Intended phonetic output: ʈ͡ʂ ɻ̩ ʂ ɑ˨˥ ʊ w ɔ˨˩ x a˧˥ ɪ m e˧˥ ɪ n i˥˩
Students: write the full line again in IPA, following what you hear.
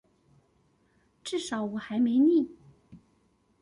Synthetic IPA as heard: ʈ͡ʂ ɻ̩ ʂ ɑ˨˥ ʊ w ɔ˨˩ x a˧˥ ɪ m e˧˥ ɪ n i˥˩